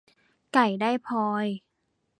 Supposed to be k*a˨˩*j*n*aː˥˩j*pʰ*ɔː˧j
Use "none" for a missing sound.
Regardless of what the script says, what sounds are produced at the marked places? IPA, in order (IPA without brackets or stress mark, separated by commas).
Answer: a˨˩, d, pʰ